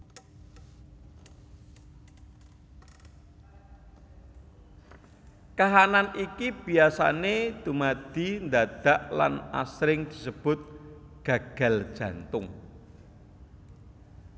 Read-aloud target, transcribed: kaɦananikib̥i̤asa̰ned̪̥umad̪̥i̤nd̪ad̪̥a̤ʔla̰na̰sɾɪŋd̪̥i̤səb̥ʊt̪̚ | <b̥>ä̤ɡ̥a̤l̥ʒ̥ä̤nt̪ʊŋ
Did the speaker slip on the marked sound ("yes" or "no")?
yes